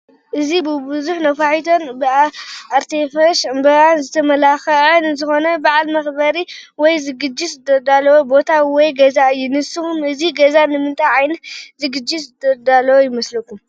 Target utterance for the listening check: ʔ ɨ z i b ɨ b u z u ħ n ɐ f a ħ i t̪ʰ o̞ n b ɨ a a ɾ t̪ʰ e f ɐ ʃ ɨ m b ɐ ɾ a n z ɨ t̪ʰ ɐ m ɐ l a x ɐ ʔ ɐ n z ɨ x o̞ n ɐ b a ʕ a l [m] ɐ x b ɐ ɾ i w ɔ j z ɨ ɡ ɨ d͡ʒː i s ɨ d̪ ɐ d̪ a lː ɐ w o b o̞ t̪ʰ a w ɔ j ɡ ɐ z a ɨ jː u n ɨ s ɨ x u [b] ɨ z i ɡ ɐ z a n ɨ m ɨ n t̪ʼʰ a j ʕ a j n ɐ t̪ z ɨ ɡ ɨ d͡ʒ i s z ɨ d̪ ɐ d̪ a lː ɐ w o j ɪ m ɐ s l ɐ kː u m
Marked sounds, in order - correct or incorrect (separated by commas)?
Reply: correct, incorrect